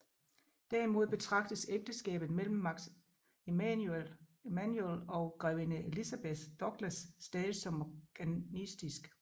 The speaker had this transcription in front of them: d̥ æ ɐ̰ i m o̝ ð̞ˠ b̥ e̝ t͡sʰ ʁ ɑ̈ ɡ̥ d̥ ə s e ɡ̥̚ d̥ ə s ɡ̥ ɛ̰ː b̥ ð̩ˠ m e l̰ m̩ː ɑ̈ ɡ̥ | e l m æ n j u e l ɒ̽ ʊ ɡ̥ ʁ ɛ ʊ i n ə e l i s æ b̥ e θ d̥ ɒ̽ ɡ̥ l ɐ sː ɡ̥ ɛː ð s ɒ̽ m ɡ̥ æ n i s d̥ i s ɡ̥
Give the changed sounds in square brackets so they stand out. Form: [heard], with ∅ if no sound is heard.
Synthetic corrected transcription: d̥ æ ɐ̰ i m o̝ ð̞ˠ b̥ e̝ t͡sʰ ʁ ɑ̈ ɡ̥ d̥ ə s e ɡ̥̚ d̥ ə s ɡ̥ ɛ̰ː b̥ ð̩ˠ m e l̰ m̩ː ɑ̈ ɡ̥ | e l m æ n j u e l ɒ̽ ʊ ɡ̥ ʁ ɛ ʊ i n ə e l i s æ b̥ e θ d̥ ɒ̽ ɡ̥ l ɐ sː [d̥] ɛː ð s ɒ̽ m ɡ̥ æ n i s d̥ i s ɡ̥